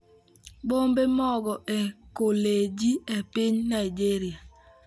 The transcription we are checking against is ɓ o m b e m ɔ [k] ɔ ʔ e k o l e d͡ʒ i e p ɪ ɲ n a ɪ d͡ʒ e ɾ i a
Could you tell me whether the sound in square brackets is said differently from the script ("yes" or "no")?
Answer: yes